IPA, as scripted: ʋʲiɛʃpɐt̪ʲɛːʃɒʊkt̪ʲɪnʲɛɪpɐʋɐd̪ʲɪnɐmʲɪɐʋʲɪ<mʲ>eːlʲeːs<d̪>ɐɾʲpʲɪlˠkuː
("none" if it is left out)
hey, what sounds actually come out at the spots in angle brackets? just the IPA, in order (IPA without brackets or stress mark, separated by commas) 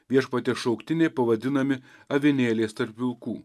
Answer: nʲ, t̪